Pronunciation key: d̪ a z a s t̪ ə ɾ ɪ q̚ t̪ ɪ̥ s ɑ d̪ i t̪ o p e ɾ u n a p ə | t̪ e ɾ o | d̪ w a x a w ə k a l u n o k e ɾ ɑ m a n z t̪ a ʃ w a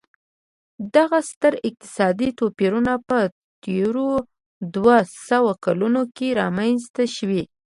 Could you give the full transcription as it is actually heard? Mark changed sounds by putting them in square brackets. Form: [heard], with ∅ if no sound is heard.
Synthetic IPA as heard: d̪ a [ɣ] a s t̪ ə ɾ ɪ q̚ t̪ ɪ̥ s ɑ d̪ i t̪ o p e ɾ u n a p ə | t̪ e ɾ o | d̪ w a [s] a w [a] k a l u n o k e ɾ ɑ m a n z t̪ a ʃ w [i]